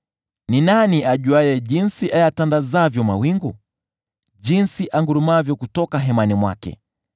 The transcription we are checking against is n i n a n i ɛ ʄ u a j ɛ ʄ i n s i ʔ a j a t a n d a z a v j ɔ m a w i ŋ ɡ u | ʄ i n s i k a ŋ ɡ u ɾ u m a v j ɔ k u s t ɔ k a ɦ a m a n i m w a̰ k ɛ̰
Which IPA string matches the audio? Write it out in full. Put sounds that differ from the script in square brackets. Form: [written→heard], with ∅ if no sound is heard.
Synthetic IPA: n i n a n i [ɛ→a] ʄ u a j ɛ ʄ i n s i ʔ a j a t a n d a z a v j ɔ m a w i ŋ ɡ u | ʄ i n s i [k→ʔ] a ŋ ɡ u ɾ u m a v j ɔ k u [s→∅] t ɔ k a ɦ [a→ɛ] m a n i m w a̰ k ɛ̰